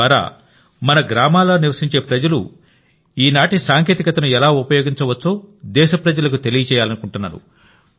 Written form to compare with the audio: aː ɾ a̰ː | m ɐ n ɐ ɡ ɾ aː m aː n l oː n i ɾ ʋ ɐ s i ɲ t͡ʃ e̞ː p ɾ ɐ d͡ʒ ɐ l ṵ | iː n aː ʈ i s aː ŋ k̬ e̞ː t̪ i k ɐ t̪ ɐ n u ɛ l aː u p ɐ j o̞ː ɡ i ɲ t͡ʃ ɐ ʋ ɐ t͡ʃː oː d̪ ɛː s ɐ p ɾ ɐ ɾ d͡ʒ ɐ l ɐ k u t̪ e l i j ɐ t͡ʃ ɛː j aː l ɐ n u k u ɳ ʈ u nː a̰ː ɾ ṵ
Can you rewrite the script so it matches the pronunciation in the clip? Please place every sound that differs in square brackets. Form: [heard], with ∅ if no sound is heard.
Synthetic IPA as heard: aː ɾ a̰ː | m ɐ n ɐ ɡ ɾ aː m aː [∅] l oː n i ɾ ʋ ɐ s i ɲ t͡ʃ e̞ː p ɾ ɐ d͡ʒ ɐ l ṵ | iː n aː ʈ i s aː ŋ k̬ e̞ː t̪ i k ɐ t̪ ɐ n u ɛ l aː u p ɐ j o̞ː ɡ i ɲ t͡ʃ ɐ ʋ ɐ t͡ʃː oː d̪ ɛː [ʃ] ɐ p ɾ ɐ [∅] d͡ʒ ɐ l ɐ k u t̪ e l i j ɐ t͡ʃ ɛː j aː l ɐ n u k u ɳ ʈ u nː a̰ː ɾ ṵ